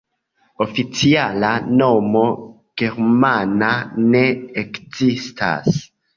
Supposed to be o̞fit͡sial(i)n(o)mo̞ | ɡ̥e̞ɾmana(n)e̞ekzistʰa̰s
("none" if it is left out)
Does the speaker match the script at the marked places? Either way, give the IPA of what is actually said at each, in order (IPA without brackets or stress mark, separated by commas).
a, o, n